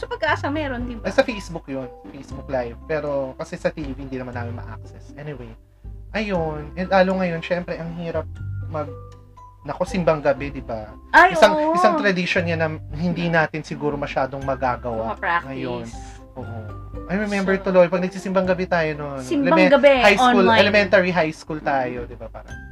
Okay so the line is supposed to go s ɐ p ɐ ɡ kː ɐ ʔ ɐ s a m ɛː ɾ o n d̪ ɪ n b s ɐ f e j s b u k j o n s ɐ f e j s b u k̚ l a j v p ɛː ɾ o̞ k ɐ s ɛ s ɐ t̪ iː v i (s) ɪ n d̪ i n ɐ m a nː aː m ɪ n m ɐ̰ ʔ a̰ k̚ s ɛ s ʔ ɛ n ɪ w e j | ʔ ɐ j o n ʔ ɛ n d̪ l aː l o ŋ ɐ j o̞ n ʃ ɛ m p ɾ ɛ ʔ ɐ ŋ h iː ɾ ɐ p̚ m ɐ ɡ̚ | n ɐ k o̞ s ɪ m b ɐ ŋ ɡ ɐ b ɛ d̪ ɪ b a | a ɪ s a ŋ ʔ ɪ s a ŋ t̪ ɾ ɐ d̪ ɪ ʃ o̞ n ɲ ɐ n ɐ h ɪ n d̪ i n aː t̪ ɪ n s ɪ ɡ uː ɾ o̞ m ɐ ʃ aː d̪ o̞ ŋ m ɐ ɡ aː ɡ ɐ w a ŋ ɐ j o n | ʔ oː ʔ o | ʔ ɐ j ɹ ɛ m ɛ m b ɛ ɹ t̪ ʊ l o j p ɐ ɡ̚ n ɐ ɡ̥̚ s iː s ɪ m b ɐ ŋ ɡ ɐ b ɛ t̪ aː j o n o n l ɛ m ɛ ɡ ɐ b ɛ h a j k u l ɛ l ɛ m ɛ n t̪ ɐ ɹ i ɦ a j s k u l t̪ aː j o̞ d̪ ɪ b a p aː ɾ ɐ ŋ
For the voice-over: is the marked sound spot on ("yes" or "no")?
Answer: no